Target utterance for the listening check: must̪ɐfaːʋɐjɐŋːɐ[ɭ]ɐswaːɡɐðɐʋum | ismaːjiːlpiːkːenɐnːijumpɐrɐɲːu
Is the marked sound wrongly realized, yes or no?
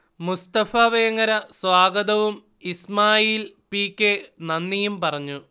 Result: yes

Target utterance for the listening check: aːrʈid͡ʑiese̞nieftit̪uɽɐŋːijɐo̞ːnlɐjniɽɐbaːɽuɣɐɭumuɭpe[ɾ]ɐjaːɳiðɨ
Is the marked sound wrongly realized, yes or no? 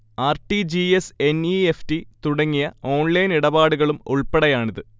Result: yes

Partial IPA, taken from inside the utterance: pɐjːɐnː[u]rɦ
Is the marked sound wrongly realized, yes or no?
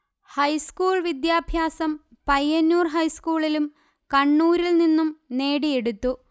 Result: yes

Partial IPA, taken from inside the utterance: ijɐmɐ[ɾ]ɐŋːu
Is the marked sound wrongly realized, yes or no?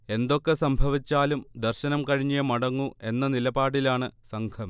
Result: yes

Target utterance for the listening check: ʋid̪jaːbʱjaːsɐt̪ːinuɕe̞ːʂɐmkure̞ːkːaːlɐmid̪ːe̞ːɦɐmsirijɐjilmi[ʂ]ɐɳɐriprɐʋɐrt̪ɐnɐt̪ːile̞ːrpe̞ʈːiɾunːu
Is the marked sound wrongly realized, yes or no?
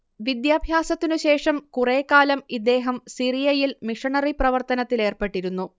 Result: no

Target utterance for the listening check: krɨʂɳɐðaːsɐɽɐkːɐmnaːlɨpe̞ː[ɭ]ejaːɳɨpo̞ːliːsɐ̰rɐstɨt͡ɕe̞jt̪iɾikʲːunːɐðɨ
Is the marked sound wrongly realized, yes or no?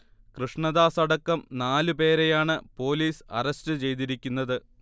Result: yes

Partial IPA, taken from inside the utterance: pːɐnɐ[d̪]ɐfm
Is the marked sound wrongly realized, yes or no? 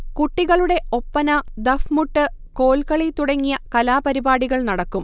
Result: no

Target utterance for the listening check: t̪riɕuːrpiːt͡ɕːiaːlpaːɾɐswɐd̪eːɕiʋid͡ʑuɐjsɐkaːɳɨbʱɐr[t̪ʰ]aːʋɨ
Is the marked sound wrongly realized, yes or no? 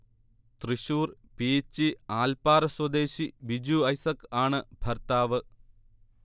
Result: yes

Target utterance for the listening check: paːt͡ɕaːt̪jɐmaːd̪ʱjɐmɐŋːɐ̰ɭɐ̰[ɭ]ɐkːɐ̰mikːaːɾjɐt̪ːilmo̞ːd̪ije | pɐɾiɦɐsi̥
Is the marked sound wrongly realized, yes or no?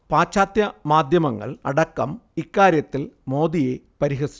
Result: yes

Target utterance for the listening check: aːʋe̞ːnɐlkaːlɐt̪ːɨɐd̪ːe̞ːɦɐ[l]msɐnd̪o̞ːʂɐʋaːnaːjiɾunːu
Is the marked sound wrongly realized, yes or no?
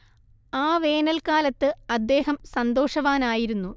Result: yes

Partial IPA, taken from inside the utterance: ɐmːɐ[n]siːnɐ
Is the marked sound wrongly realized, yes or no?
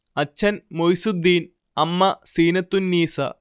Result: yes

